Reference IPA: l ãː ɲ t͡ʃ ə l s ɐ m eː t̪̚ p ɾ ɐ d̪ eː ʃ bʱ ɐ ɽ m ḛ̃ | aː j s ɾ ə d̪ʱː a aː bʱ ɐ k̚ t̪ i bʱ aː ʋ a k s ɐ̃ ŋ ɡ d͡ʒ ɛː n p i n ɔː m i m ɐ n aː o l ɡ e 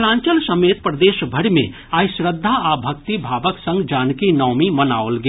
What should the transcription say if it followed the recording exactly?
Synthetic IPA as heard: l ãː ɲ t͡ʃ ə l s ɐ m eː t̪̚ p ɾ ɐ d̪ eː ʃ bʱ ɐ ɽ m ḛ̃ | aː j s ɾ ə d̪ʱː a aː bʱ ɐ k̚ t̪ i bʱ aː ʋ ə k s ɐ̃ ŋ ɡ d͡ʒ aː n k i n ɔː m i m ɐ n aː o l ɡ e